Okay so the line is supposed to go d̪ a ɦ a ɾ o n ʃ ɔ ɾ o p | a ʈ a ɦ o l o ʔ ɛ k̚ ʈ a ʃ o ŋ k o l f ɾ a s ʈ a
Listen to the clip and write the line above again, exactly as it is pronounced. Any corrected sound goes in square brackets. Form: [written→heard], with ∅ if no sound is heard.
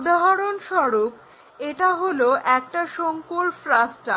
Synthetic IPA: d̪ a ɦ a ɾ o n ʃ ɔ ɾ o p | [a→e] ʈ a ɦ o l o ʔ ɛ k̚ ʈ a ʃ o ŋ k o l f ɾ a s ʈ a